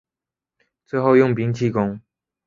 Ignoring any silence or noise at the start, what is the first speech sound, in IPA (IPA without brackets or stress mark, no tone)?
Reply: t͡s